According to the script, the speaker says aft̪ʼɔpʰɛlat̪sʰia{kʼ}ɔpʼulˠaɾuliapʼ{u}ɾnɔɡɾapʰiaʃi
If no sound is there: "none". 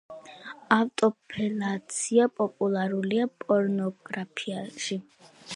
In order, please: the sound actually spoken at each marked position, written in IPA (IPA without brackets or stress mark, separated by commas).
pʼ, ɔ